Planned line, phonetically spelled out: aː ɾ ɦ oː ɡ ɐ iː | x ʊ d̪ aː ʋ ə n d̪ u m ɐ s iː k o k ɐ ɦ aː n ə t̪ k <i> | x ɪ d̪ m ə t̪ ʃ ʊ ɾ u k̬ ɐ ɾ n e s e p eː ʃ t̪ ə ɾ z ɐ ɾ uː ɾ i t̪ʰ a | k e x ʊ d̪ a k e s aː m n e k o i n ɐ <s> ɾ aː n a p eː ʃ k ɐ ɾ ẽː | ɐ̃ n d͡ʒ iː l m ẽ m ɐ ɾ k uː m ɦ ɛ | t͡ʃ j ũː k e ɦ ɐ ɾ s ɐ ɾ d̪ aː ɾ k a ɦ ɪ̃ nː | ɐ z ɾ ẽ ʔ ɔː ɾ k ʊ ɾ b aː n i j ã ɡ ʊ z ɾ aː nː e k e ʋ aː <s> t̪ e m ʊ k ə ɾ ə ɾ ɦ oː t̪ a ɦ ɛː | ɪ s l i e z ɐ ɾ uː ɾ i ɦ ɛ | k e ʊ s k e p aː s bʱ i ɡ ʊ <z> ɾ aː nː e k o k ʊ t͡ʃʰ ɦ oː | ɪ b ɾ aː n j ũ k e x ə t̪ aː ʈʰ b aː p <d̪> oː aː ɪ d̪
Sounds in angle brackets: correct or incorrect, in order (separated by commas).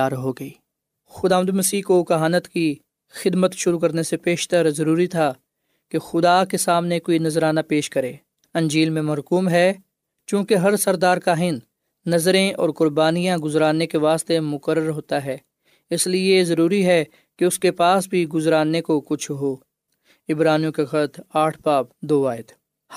correct, incorrect, correct, correct, correct